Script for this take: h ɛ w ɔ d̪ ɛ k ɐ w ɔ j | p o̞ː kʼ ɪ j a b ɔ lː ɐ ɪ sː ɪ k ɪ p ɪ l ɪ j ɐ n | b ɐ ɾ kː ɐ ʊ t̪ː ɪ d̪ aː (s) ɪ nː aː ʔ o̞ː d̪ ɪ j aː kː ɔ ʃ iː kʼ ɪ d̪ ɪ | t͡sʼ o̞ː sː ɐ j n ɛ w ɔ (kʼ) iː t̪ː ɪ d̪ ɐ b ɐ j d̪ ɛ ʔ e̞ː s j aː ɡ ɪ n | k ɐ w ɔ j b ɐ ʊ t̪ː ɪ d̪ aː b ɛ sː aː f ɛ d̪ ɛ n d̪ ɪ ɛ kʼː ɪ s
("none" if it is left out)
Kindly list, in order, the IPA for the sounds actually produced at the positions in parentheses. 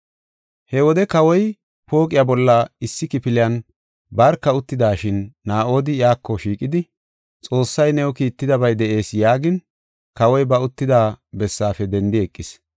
ʃ, k

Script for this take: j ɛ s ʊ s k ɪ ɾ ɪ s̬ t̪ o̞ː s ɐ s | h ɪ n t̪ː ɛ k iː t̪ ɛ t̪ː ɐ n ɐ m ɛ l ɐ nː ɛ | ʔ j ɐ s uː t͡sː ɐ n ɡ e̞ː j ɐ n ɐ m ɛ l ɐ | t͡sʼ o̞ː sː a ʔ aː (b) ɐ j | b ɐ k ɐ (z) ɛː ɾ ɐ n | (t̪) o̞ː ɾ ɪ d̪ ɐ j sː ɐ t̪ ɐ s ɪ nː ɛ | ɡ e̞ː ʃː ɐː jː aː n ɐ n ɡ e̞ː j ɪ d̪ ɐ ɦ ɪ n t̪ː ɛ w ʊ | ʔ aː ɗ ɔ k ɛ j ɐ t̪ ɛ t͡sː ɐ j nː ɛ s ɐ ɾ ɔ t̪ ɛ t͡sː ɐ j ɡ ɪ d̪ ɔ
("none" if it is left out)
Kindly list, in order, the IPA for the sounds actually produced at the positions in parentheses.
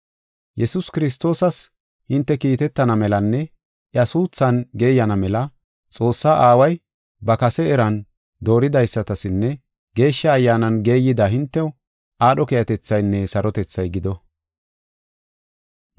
w, s, d̪

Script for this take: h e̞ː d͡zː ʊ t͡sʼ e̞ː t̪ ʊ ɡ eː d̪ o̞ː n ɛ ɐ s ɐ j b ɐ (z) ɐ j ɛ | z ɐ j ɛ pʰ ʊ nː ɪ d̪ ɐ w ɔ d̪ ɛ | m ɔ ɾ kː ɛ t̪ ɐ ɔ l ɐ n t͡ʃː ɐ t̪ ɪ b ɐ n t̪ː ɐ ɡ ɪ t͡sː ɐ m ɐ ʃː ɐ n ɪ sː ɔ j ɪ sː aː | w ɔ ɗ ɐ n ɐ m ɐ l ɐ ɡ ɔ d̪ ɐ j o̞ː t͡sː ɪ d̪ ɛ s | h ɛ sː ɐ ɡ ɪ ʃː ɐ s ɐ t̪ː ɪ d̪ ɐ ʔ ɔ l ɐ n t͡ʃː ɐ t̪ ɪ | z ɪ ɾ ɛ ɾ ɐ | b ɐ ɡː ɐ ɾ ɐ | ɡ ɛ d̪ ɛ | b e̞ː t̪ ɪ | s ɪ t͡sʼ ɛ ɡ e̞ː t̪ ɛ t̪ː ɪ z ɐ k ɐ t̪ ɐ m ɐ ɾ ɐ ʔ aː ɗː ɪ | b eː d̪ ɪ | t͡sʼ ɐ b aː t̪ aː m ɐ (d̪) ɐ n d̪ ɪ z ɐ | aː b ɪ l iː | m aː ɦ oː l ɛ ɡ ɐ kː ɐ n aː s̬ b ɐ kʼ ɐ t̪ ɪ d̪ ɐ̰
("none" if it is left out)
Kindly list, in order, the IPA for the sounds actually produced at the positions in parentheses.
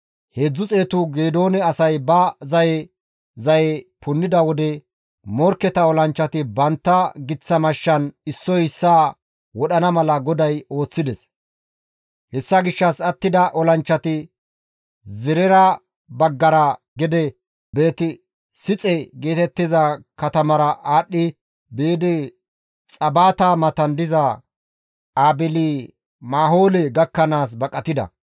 z, t̪

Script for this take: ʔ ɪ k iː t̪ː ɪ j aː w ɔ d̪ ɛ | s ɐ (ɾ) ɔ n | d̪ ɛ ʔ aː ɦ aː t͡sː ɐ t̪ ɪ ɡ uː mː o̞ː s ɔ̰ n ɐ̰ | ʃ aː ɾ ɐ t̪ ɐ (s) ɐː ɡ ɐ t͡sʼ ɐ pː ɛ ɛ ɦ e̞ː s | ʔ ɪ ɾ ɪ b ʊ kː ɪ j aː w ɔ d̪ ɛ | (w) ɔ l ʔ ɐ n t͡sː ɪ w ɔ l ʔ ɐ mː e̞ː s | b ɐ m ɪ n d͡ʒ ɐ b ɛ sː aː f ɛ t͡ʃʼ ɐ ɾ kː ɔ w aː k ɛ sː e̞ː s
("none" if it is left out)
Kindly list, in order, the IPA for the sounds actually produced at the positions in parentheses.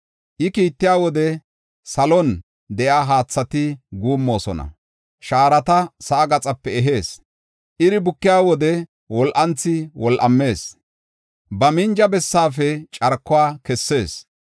l, s, w

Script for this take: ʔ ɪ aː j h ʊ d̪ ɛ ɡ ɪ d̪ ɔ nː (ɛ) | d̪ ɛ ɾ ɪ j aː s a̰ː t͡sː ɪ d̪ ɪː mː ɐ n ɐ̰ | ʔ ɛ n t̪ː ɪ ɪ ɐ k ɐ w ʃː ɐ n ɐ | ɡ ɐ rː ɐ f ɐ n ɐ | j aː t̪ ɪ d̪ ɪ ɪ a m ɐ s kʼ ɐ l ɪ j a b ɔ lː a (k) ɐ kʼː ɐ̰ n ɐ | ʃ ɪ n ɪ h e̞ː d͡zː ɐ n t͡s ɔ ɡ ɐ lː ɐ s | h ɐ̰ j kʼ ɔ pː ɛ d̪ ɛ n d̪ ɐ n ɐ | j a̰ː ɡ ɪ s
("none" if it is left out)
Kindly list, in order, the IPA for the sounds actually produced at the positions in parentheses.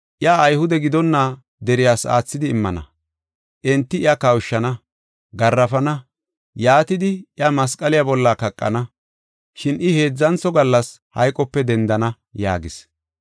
a, k

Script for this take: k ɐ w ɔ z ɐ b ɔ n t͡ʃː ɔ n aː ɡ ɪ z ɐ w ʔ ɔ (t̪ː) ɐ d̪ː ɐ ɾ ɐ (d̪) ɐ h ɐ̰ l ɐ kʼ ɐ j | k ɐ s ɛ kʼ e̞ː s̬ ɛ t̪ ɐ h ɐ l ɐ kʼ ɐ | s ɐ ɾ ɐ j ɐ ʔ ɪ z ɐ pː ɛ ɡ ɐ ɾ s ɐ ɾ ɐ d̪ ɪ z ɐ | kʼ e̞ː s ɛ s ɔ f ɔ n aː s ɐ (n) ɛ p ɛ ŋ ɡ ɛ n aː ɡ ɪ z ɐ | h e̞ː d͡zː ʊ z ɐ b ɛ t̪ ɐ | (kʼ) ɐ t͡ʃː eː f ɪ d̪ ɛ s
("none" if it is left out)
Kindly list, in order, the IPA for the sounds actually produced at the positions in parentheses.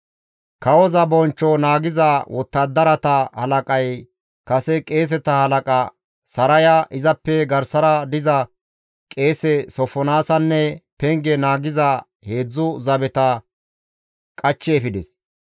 t̪ː, t̪, nː, kʼ

